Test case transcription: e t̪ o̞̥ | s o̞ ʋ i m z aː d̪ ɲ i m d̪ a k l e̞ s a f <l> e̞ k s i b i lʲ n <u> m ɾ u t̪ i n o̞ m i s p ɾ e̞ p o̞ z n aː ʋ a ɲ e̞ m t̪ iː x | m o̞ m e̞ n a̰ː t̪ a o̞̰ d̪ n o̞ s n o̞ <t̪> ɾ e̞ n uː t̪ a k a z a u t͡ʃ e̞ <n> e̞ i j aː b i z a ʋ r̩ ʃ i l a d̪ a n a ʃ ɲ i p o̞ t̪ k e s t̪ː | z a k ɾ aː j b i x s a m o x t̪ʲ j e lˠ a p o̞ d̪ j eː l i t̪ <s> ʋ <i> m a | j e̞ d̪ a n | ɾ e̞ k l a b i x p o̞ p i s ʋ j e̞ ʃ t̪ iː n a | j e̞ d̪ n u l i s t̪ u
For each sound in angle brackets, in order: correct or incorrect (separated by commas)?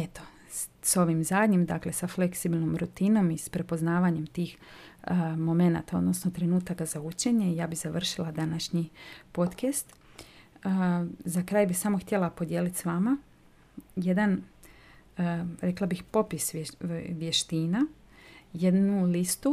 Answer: correct, incorrect, correct, incorrect, correct, incorrect